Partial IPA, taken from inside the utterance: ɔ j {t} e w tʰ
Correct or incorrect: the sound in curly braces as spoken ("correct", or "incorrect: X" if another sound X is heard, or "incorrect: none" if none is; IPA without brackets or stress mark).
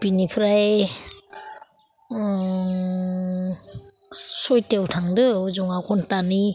correct